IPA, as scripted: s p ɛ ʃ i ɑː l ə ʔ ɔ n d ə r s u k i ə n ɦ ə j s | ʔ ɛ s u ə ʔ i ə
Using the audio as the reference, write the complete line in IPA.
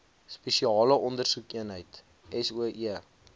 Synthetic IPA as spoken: s p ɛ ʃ i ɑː l ə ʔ ɔ n d ə r s u k i ə n ɦ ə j t | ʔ ɛ s u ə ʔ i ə